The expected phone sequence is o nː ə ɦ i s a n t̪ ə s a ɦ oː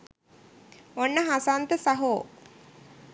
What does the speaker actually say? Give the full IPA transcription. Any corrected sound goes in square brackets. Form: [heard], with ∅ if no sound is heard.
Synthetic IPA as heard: o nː ə ɦ [a] s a n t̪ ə s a ɦ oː

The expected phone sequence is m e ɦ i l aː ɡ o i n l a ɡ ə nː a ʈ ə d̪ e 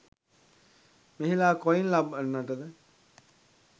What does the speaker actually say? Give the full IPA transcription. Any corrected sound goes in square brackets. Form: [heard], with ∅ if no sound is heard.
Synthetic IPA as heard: m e ɦ i l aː [k] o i n l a [b] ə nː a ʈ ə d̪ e

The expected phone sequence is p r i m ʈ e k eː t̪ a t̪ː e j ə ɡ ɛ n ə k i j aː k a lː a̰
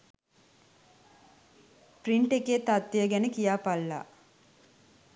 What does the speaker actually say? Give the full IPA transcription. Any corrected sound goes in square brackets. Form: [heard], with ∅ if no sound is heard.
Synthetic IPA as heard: p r i [ɳ] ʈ e k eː t̪ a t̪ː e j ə ɡ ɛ n ə k i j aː [p] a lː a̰

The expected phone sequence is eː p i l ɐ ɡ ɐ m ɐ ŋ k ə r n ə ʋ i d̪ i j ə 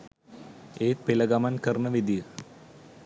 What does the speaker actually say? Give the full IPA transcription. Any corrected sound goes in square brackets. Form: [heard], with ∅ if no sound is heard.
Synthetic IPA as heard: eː p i l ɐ ɡ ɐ m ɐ [n] k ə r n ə ʋ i d̪ i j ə

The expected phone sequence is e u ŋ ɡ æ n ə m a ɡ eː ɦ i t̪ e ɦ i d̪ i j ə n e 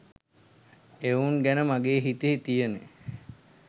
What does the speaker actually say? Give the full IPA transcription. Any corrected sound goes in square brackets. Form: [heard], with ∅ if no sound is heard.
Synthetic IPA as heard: e u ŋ ɡ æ n ə m a ɡ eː ɦ i t̪ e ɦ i [t̪] i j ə n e

